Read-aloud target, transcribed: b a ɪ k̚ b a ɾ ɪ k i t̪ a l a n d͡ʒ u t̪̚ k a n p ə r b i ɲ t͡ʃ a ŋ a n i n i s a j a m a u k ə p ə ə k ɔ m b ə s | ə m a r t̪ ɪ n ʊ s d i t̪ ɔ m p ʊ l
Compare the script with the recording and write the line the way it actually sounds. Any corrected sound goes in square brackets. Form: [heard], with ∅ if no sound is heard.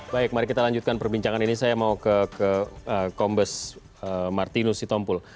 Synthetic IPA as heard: b a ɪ k̚ [m] a ɾ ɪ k i t̪ a l a [ɲ] d͡ʒ u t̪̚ k a n p ə r b i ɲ t͡ʃ a ŋ a n i n i s a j a m a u k ə [k] ə ə k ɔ m b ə s | ə m a r t̪ [i] n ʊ s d i t̪ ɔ m p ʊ l